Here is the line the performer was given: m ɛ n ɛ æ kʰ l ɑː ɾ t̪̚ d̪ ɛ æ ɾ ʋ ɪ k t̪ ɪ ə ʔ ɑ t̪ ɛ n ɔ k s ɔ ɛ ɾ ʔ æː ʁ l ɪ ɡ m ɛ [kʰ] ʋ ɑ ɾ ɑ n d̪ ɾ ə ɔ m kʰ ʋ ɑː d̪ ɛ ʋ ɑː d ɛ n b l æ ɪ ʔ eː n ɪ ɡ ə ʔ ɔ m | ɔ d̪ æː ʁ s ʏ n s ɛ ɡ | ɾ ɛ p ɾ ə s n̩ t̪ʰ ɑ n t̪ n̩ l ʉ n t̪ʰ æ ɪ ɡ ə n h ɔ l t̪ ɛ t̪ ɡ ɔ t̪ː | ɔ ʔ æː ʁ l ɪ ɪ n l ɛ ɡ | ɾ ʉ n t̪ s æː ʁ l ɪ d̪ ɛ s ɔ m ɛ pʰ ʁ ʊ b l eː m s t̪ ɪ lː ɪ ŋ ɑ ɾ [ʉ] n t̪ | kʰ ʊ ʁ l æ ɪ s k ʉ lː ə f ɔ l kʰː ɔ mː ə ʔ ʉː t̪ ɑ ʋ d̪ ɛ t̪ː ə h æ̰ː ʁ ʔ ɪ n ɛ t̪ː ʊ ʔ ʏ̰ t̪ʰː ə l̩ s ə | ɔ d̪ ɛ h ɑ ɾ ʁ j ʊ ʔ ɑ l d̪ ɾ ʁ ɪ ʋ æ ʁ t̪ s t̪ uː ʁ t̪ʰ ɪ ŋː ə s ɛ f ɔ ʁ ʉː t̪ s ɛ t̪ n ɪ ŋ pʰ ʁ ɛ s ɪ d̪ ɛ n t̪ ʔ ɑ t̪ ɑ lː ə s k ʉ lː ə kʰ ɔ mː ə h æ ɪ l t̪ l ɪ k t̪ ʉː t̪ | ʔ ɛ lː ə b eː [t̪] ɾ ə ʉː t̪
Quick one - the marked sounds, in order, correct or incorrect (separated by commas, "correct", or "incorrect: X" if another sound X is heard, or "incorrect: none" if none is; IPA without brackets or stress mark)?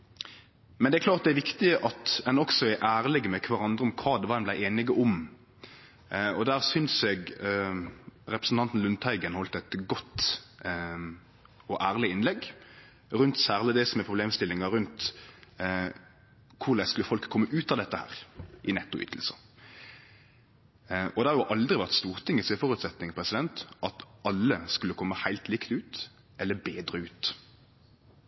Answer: correct, correct, incorrect: d̪